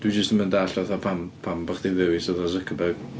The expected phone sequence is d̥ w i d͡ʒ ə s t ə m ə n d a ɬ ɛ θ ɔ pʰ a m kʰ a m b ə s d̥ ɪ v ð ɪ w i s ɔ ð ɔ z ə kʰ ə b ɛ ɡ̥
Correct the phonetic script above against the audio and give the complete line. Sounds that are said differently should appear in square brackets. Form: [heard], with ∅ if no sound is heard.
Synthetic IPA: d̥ w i d͡ʒ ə s t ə m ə n d a ɬ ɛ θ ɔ pʰ a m [pʰ] a m b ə [χ] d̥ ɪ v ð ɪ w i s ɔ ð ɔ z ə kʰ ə b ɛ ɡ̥